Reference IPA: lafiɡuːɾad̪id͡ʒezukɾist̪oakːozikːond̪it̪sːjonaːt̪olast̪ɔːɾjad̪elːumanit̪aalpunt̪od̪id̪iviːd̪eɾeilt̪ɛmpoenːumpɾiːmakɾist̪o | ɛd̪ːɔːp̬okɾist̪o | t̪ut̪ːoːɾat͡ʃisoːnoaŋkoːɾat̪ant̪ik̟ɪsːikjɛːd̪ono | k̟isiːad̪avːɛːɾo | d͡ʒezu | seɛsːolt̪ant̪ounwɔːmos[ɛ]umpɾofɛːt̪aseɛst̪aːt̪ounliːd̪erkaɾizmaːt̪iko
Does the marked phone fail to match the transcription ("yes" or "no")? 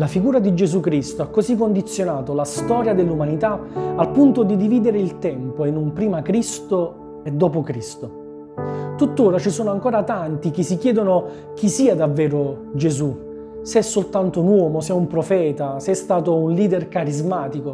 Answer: no